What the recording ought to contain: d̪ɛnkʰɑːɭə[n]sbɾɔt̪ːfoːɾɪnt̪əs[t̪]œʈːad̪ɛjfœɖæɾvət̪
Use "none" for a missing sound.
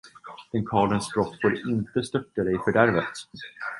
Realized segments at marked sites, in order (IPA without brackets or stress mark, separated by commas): n, t̪